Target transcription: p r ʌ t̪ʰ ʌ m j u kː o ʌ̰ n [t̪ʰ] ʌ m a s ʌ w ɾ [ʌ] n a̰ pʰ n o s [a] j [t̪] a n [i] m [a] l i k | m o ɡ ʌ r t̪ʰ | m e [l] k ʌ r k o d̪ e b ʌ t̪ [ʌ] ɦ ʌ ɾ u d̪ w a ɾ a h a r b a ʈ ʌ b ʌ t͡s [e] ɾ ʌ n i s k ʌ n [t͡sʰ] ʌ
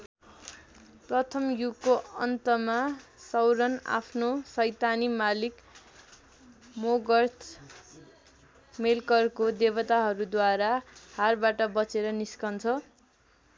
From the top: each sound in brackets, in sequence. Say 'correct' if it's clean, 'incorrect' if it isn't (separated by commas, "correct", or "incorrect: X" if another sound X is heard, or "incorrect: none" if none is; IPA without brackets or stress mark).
incorrect: t̪, correct, incorrect: ʌ, correct, correct, correct, correct, incorrect: a, correct, correct